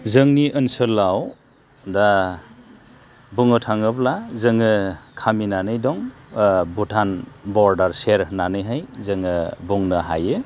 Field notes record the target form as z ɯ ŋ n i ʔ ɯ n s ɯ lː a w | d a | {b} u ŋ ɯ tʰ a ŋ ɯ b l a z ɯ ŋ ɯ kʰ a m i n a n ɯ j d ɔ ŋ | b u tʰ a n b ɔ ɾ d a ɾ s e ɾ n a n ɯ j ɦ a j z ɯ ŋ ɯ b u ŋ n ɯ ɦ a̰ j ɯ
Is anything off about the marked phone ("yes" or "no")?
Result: no